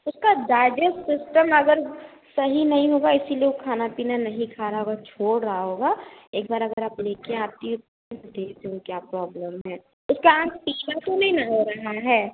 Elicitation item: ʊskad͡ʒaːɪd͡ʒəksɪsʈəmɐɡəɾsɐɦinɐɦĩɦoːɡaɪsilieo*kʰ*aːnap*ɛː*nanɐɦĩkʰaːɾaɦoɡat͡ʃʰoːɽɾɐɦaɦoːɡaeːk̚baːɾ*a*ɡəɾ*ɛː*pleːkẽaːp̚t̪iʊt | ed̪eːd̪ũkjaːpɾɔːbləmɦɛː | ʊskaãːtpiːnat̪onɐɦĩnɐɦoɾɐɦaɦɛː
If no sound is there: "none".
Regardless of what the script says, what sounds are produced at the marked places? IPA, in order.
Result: kʰ, iː, ɐ, aː

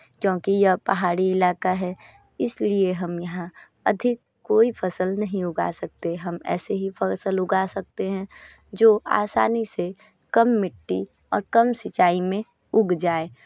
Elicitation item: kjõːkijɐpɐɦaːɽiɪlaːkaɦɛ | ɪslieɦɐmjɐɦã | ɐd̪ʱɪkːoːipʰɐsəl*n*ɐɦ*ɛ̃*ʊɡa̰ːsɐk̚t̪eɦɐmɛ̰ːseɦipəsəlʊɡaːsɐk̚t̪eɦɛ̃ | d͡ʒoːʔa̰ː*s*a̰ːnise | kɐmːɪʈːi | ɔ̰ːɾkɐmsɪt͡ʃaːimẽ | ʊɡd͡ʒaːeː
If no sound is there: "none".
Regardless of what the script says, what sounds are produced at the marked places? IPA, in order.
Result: n, ĩ, s

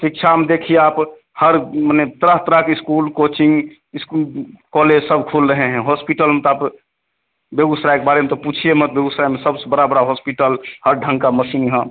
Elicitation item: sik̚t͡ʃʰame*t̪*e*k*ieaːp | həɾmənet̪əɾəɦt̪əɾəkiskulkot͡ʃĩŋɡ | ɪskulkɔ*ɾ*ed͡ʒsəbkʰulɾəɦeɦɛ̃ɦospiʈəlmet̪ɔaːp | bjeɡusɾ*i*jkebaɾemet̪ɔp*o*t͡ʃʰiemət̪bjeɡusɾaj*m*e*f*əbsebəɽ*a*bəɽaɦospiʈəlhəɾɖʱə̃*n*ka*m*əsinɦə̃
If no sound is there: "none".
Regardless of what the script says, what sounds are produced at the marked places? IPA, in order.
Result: d̪, kʰ, l, a, u, m, s, a, ŋ, m

